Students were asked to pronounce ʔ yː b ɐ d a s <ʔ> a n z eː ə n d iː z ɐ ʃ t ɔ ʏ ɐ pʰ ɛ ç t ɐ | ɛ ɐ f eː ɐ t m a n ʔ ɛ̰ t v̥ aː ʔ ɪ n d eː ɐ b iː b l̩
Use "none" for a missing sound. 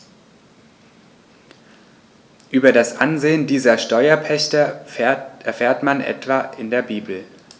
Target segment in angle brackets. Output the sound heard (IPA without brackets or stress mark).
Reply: ʔ